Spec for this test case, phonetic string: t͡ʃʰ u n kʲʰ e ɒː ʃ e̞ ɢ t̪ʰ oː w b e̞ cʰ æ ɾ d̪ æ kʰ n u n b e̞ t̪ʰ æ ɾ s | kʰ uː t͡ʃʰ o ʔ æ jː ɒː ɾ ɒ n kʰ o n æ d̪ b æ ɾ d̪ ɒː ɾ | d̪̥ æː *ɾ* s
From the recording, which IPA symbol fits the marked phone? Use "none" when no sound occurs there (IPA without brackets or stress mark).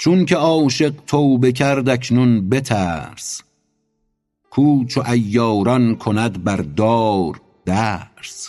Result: ɾ